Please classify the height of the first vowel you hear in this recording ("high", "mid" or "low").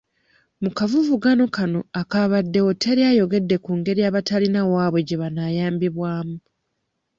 high